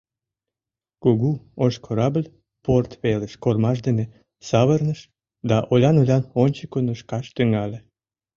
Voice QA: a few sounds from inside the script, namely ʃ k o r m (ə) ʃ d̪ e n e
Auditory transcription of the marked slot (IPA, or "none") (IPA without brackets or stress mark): ɑ